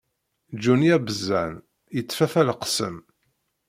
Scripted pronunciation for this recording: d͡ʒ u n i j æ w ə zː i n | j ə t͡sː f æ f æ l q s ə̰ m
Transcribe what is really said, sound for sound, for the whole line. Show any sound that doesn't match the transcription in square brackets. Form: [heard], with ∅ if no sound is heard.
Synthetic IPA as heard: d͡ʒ u n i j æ [b] ə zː [æ] n | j ə t͡sː f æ f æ l q s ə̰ m